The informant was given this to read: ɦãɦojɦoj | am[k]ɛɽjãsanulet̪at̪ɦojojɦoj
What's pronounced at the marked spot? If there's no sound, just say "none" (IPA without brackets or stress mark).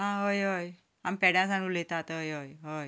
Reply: p